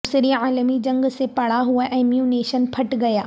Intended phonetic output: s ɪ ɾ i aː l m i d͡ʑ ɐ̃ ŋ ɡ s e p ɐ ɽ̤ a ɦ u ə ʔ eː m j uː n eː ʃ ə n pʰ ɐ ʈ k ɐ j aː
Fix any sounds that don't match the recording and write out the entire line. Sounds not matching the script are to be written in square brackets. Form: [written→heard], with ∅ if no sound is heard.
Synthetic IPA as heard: s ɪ ɾ i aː l m i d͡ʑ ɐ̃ ŋ ɡ s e p ɐ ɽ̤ a ɦ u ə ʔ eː m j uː n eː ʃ ə n pʰ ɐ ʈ [k→ɡ] ɐ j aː